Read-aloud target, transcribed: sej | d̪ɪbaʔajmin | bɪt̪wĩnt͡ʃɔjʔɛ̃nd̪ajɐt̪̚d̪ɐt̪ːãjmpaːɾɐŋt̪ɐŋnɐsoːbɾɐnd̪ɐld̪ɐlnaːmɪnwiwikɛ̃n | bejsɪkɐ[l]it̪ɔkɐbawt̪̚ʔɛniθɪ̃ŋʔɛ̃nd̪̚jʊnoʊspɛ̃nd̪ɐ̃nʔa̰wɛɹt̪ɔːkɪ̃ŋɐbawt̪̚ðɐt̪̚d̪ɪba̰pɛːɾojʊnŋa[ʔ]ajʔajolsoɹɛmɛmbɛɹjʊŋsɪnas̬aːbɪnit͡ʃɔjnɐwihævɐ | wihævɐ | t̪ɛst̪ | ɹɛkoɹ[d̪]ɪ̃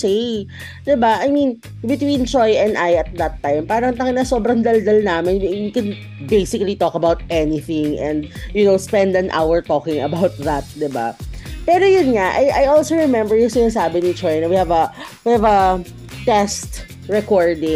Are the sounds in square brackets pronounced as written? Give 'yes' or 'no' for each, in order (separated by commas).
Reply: yes, yes, yes